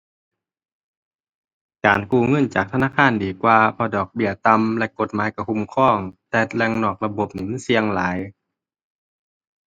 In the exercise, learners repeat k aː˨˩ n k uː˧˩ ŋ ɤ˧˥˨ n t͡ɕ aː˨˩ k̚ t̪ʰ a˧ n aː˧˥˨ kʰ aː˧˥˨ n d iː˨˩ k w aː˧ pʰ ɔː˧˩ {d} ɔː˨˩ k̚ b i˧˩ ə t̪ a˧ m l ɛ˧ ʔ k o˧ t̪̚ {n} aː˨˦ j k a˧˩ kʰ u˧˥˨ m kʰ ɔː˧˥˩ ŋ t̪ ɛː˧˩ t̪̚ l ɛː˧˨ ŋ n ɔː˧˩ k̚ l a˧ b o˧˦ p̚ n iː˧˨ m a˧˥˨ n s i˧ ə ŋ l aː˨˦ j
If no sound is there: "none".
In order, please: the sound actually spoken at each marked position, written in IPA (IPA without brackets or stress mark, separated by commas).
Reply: d, m